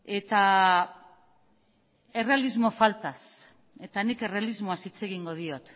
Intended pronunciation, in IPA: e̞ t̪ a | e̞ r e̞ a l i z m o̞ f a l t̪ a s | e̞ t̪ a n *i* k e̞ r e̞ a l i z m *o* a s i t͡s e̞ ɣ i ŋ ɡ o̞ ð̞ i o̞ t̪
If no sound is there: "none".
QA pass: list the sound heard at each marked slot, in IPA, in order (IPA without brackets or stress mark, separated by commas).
i, o